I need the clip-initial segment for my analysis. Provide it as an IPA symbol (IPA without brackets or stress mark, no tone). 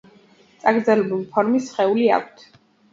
t̪